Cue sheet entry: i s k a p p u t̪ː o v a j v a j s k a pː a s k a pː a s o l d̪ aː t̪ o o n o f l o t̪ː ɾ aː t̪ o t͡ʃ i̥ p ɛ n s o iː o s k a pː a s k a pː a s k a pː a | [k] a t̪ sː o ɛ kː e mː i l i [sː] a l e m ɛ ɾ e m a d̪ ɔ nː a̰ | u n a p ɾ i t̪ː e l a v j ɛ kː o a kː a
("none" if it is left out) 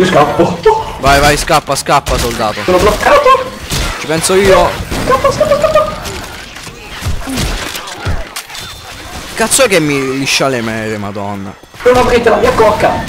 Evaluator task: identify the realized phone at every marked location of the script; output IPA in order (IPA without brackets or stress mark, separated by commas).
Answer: k, ʃː